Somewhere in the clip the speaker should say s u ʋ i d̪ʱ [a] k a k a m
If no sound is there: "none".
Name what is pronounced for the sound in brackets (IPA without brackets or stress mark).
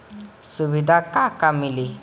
a